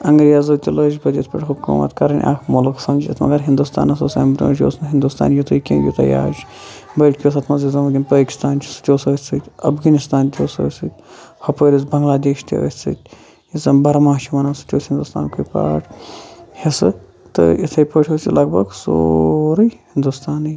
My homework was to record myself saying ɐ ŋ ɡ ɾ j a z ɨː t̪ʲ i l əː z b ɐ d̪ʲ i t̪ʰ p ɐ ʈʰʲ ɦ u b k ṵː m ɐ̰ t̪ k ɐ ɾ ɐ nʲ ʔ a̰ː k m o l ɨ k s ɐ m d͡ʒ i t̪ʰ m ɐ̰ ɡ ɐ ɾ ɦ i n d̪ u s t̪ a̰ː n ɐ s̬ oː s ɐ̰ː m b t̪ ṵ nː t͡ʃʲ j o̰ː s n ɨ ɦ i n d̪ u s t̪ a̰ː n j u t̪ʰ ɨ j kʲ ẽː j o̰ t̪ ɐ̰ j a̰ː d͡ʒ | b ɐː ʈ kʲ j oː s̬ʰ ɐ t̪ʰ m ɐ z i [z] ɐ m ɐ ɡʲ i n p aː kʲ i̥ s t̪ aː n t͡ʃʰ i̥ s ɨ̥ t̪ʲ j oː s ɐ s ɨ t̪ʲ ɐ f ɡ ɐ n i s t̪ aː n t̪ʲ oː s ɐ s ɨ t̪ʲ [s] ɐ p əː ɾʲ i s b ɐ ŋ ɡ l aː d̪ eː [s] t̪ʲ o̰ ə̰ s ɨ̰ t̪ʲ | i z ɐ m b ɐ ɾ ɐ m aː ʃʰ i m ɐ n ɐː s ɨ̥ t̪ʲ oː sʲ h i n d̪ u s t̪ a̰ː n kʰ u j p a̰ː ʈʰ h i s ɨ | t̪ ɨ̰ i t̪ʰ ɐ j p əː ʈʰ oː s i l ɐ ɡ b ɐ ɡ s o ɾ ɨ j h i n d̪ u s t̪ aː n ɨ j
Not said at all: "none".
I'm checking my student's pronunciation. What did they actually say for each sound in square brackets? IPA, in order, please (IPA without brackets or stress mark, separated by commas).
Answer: z, h, ʃ